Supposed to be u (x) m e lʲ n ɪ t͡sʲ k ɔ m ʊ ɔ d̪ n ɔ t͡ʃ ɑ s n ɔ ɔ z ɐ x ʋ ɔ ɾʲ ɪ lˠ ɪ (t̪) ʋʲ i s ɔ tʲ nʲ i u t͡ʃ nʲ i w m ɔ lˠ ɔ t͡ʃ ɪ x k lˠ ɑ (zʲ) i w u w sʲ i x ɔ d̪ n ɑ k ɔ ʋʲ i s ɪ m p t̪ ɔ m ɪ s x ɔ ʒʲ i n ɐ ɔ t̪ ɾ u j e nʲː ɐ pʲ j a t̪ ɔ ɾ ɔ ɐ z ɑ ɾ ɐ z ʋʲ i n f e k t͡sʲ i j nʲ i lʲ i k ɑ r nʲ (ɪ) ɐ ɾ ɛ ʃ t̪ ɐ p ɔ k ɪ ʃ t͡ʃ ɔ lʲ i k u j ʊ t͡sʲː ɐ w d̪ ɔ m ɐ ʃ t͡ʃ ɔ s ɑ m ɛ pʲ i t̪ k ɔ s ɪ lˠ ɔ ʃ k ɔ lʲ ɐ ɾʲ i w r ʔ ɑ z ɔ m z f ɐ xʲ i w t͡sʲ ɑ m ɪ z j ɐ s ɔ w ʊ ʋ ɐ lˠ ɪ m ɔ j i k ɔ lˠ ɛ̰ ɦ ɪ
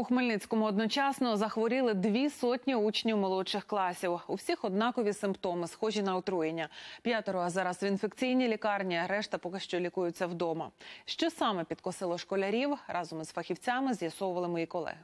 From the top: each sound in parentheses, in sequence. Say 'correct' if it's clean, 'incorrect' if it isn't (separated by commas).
correct, incorrect, incorrect, incorrect